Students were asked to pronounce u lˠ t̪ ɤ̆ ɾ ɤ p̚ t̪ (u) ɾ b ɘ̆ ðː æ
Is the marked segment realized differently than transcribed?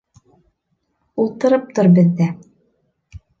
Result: yes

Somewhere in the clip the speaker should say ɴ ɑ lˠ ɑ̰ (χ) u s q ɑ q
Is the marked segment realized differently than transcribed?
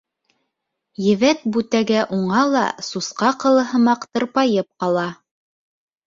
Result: yes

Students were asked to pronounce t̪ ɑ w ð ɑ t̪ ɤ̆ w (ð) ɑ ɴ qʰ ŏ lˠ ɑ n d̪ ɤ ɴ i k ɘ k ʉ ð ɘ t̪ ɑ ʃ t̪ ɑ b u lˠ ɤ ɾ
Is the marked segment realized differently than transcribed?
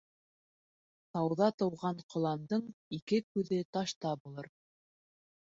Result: yes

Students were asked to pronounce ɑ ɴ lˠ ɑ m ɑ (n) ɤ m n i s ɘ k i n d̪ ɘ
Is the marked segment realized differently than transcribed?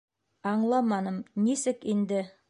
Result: no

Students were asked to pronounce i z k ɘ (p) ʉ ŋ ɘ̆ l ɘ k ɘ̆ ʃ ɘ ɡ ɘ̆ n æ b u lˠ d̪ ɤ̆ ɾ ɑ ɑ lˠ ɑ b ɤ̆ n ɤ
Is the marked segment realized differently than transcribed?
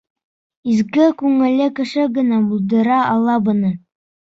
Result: yes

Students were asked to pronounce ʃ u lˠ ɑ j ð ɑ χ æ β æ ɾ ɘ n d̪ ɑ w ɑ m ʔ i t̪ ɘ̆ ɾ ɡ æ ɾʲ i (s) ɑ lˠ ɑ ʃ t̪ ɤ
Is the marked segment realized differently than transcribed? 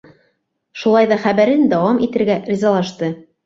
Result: yes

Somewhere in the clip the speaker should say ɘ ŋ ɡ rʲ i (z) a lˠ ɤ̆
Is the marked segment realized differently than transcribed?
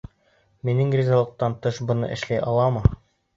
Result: no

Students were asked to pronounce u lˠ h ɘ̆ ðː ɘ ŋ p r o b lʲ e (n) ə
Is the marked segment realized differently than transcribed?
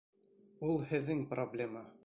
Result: yes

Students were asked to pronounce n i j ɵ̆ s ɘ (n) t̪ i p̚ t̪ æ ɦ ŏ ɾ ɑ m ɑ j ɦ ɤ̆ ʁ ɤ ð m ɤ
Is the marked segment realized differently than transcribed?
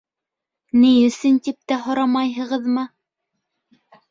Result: no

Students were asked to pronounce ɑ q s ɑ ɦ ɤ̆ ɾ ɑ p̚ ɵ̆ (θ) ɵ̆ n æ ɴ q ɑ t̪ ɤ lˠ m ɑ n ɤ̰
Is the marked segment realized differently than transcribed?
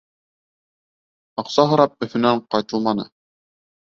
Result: no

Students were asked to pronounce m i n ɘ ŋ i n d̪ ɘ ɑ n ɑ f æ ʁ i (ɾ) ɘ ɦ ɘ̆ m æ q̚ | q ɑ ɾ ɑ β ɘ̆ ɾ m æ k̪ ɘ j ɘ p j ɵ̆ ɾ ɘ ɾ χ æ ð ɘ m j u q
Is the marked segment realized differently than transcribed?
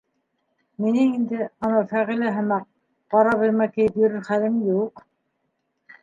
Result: yes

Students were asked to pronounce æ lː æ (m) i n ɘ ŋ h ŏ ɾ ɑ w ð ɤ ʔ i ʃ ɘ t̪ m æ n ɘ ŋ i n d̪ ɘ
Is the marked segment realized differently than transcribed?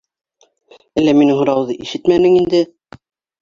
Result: no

